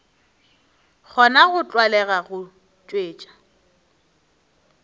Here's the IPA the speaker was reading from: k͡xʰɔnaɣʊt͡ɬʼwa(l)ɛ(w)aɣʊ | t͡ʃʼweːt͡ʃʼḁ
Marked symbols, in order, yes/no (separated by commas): yes, no